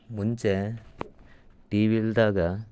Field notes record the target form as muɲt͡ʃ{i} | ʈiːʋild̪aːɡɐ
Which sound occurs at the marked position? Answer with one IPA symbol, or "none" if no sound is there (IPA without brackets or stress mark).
e